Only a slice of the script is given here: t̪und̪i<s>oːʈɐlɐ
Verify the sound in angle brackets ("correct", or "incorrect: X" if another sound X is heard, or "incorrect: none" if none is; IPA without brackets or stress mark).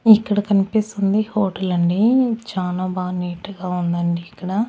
incorrect: h